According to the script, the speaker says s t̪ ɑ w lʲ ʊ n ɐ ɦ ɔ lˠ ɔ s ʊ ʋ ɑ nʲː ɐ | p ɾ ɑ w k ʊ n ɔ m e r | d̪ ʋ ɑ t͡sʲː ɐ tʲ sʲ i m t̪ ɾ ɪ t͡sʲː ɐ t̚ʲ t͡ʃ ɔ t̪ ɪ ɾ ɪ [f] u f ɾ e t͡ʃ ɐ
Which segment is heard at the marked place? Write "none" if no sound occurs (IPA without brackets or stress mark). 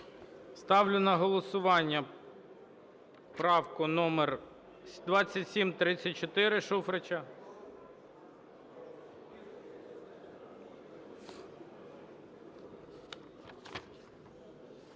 ʃ